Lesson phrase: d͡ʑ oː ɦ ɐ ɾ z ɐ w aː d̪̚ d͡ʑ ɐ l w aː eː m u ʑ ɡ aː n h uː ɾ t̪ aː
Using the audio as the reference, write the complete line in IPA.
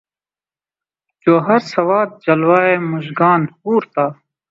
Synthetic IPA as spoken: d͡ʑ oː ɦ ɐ ɾ s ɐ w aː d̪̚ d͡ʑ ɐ l w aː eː m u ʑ ɡ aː n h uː ɾ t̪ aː